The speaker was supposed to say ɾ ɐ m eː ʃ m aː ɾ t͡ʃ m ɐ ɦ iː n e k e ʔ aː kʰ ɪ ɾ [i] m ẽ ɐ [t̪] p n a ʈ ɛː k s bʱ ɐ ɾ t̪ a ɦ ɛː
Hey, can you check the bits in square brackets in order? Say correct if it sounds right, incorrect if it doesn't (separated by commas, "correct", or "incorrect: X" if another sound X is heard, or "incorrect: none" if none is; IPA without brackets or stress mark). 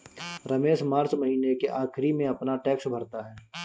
correct, incorrect: none